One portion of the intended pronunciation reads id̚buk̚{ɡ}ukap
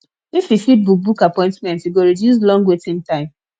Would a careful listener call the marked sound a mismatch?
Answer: yes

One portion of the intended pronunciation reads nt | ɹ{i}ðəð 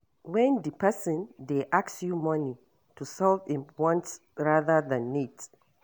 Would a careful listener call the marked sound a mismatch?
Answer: yes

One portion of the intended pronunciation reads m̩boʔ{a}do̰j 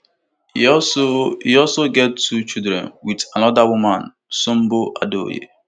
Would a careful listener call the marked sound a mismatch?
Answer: no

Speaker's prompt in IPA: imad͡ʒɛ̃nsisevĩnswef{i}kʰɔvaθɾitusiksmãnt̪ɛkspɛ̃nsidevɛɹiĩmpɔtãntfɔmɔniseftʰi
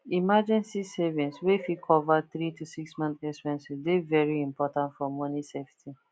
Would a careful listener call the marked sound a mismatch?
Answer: no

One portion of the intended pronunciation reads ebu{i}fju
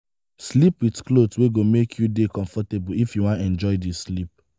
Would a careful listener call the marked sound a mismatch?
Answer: no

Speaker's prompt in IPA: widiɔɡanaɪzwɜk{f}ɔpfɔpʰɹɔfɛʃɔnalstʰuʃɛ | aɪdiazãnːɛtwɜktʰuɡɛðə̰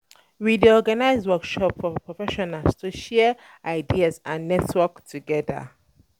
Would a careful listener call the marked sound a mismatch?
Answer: yes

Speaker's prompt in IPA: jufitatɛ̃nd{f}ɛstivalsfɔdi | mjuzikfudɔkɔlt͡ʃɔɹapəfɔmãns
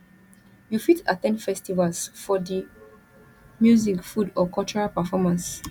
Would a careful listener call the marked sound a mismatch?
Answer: no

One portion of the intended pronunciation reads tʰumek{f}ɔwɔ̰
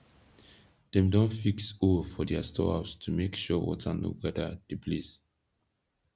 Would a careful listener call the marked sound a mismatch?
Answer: yes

